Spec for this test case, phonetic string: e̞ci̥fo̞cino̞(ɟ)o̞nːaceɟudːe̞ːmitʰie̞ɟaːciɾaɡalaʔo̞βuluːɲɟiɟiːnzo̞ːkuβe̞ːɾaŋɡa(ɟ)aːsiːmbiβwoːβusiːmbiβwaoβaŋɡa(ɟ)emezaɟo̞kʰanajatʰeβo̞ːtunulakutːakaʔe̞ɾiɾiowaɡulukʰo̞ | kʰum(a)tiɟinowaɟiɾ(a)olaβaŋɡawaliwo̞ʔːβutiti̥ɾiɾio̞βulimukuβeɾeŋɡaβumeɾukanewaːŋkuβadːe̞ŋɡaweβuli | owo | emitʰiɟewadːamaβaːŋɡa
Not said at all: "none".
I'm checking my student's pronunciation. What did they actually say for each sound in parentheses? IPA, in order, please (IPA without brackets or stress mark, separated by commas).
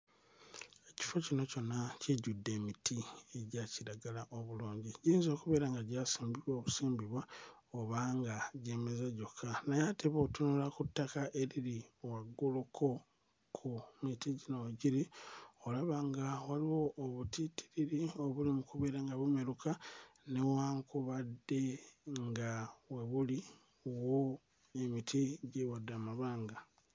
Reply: c, ɟ, ɟ, i, i